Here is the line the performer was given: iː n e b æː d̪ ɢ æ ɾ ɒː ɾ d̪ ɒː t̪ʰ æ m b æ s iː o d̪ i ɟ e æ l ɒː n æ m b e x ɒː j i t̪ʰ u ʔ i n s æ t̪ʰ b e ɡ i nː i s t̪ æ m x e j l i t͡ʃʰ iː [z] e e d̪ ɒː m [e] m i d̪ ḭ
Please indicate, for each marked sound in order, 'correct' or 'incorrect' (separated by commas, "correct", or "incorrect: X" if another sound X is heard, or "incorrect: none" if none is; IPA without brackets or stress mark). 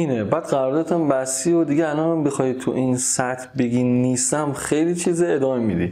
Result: correct, correct